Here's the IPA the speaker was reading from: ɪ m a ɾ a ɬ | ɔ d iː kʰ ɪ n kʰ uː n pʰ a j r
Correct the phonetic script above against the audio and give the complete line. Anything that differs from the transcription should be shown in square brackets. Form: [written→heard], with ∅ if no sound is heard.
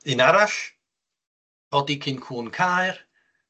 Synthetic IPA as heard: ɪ [m→n] a ɾ a ɬ | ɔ d [iː→i] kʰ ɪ n kʰ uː n [pʰ→kʰ] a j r

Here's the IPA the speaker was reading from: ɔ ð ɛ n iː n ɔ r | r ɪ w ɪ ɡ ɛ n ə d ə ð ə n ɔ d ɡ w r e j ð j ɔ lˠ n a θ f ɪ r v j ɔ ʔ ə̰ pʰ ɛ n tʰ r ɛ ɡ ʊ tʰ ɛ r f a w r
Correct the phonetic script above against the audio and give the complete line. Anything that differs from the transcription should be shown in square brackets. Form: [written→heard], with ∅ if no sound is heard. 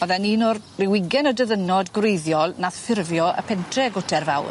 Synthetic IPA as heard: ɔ ð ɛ n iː n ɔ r | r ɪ w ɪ ɡ ɛ n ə d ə ð ə n ɔ d ɡ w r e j ð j ɔ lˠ n a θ f ɪ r v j ɔ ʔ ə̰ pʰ ɛ n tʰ r ɛ ɡ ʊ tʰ ɛ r [f→v] a w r

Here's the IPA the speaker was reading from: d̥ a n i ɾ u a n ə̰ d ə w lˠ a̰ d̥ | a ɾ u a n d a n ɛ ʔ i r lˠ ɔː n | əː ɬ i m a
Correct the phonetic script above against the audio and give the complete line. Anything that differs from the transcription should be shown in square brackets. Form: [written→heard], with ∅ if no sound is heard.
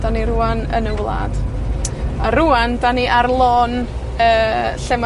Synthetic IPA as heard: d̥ a n i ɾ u a n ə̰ [d→n] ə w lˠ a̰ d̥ | a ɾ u a n d a n [ɛ→i] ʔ [i→a] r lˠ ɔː n | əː ɬ [i→ɛ] m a

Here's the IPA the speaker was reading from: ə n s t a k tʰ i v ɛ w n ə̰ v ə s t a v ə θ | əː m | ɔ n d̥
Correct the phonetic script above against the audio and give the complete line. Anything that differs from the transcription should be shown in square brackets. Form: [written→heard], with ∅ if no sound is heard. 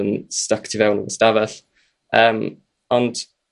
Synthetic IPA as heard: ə n s t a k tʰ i v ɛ w n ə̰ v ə s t a v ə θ | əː m | ɔ n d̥

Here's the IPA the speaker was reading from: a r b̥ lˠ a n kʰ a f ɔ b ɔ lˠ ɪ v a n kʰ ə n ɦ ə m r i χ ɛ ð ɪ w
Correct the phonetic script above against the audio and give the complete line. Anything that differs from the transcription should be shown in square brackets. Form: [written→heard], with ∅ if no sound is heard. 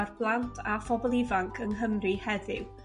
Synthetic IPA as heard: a r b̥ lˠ a n [kʰ→tʰ] a f ɔ b ɔ lˠ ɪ v a [n→ŋ] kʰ ə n ɦ ə m r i [χ→h] ɛ ð ɪ w

